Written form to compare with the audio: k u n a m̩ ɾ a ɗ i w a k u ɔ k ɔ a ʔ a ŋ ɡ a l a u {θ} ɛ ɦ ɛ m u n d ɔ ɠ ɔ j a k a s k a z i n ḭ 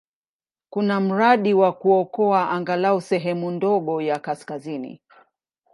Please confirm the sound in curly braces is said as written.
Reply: no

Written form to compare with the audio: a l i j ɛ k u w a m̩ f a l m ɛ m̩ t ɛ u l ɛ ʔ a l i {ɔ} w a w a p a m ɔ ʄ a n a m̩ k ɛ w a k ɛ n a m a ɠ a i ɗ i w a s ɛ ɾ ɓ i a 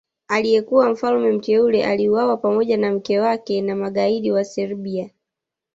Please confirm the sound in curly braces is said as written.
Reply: no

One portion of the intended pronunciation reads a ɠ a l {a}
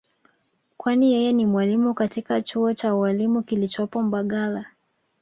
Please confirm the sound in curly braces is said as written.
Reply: yes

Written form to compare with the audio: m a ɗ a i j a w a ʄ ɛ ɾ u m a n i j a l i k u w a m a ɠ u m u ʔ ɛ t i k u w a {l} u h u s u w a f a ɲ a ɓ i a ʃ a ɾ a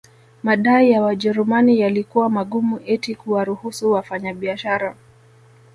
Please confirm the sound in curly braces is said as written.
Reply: no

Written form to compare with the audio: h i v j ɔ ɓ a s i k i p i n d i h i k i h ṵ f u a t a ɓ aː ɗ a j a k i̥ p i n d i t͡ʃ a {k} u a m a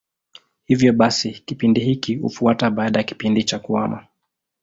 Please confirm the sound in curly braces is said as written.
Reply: yes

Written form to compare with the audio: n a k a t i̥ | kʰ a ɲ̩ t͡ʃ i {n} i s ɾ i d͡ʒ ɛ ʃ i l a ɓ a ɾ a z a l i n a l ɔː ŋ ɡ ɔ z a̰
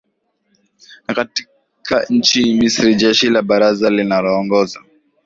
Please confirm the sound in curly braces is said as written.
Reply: no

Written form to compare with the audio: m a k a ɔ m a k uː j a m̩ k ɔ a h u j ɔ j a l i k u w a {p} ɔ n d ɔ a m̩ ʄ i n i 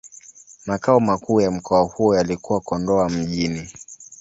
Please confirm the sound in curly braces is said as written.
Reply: no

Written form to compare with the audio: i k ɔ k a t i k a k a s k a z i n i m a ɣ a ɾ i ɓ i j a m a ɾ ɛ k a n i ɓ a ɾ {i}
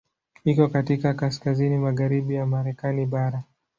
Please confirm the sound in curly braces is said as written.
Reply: no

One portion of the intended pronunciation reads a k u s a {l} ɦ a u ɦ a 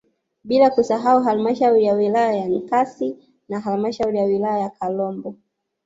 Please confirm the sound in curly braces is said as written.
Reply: no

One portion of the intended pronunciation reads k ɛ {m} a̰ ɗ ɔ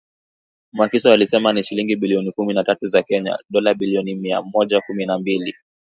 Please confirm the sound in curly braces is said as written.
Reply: no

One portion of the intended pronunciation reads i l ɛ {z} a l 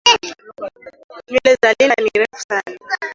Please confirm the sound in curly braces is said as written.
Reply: yes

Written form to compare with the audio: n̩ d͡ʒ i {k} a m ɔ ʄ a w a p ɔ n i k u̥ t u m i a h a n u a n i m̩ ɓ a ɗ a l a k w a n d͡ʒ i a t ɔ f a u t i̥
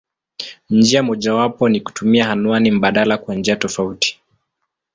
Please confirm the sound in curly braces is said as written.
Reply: no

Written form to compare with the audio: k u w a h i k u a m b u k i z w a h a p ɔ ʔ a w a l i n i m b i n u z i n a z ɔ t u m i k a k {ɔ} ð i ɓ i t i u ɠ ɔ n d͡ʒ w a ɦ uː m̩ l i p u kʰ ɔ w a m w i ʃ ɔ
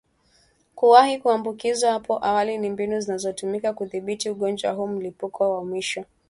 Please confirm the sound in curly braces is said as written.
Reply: no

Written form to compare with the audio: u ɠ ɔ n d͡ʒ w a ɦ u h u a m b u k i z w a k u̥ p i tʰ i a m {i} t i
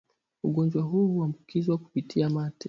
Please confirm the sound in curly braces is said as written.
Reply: no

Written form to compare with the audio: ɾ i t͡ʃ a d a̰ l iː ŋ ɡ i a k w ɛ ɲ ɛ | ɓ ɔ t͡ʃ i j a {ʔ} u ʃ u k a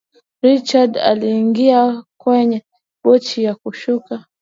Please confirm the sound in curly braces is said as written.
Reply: no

